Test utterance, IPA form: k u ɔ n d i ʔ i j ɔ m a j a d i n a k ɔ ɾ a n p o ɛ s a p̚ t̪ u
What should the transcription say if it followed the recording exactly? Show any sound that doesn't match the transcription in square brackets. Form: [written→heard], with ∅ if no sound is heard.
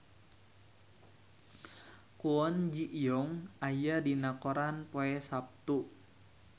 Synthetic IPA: k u ɔ n [d→d͡ʒ] i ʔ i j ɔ [m→ŋ] a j a d i n a k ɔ ɾ a n p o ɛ s a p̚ t̪ u